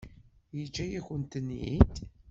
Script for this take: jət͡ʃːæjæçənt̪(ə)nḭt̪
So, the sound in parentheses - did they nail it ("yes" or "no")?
yes